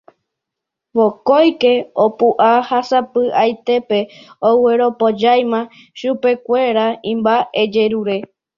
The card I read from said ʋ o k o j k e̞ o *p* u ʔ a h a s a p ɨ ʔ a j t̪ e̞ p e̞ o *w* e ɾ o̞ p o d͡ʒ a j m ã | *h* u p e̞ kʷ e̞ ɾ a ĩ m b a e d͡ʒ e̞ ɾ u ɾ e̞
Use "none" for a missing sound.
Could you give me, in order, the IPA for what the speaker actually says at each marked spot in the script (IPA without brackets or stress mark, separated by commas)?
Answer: p, w, ʃ